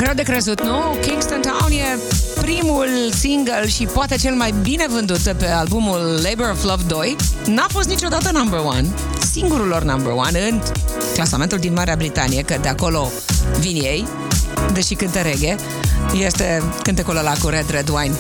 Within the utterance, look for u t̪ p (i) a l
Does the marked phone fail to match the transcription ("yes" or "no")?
yes